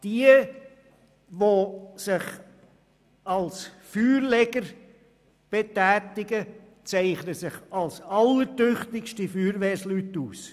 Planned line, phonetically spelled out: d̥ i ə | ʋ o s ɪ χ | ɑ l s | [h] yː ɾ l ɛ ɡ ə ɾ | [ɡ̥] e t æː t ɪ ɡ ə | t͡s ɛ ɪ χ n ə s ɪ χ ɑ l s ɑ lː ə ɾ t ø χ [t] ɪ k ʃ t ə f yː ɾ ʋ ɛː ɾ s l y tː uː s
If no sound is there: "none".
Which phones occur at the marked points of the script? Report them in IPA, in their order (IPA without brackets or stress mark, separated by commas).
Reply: f, b̥, t